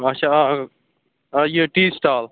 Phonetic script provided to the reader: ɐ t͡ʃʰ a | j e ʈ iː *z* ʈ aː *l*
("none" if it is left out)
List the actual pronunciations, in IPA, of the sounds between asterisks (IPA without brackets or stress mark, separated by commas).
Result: s, l